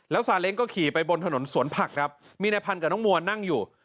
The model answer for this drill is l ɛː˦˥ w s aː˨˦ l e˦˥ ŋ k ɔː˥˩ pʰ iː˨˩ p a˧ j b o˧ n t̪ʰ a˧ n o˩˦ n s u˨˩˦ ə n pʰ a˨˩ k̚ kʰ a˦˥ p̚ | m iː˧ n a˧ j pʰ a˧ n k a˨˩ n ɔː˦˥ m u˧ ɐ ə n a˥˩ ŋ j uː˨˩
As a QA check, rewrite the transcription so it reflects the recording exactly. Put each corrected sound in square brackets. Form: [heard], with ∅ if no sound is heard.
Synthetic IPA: l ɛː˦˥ w s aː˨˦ l e˦˥ ŋ k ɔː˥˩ [kʰ] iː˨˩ p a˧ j b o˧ n t̪ʰ a˧ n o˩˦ n s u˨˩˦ ə n pʰ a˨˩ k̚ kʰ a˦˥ p̚ | m iː˧ n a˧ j pʰ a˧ n k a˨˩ n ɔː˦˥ m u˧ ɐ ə n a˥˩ ŋ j uː˨˩